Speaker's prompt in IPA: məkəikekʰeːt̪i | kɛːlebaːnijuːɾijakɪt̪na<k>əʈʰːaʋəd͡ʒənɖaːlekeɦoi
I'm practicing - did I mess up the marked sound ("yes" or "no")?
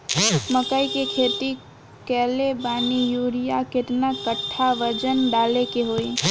no